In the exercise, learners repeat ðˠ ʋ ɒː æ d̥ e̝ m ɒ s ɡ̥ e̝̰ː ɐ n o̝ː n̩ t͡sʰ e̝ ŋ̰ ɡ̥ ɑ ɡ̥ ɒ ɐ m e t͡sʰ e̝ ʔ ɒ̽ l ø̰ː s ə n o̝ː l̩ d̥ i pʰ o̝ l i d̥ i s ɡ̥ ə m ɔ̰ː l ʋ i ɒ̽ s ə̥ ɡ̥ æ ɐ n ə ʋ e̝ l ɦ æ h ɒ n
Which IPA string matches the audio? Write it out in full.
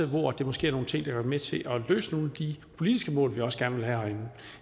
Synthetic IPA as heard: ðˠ ʋ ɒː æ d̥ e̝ m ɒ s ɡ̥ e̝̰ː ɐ n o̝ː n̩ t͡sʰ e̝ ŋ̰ d̥ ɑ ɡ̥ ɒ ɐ m e t͡sʰ e̝ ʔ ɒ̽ l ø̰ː s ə n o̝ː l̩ d̥ i pʰ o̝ l i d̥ i s ɡ̥ ə m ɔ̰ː l ʋ i ɒ̽ s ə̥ ɡ̥ æ ɐ n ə ʋ e̝ l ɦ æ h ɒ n